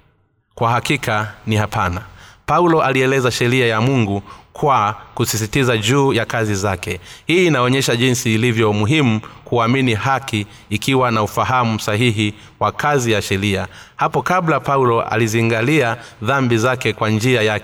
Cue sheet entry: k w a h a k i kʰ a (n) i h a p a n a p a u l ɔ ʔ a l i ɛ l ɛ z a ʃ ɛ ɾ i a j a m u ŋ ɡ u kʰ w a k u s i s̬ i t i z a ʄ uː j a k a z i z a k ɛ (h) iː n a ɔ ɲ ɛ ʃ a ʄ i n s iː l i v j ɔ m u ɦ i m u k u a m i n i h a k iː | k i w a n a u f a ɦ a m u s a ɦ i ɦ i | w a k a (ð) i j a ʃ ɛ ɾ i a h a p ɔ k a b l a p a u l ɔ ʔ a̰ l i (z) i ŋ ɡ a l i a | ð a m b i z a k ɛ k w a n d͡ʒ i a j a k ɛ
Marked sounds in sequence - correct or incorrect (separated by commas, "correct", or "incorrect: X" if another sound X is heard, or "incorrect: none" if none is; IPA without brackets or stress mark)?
correct, correct, incorrect: z, correct